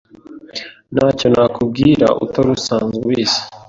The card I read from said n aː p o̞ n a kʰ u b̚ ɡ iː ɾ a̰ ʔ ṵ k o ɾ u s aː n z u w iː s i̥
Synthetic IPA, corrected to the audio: n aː c o̞ n a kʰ u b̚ ɡ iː ɾ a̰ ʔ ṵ t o ɾ u s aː n z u w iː s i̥